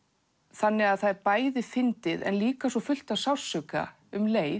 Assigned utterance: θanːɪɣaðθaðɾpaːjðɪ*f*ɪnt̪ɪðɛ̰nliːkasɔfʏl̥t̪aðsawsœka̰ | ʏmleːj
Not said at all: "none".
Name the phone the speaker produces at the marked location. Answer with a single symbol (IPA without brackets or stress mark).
f